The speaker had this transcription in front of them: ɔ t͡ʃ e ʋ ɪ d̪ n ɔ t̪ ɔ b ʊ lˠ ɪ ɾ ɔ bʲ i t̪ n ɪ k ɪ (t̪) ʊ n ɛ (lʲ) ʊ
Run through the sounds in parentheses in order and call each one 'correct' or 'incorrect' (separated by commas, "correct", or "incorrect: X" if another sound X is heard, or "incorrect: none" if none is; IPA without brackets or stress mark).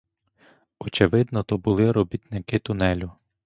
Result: correct, correct